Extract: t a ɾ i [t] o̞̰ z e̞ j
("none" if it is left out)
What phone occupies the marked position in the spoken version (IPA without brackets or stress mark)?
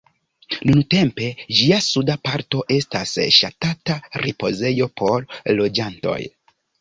p